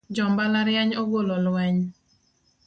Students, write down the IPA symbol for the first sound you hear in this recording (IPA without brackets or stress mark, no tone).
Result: d͡ʒ